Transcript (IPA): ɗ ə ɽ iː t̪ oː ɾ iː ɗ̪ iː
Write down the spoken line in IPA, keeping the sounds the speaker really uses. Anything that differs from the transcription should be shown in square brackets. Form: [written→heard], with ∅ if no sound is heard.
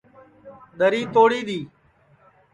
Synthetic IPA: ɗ ə [ɽ→ɾ] iː t̪ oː [ɾ→ɽ] iː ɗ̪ iː